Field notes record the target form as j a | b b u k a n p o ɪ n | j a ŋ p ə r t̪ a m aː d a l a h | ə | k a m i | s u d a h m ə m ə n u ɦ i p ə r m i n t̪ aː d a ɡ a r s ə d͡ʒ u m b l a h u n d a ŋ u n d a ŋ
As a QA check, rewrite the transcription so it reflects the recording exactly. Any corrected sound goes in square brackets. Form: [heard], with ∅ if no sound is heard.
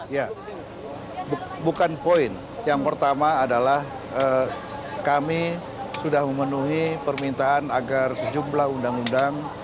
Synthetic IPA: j a | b b u k a n p o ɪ n | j a ŋ p ə r t̪ a m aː d a l a h | ə | k a m i | s u d a h m ə m ə n u ɦ i p ə r m i n t̪ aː [n] a ɡ a r s ə d͡ʒ u m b l a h u n d a ŋ u n d a ŋ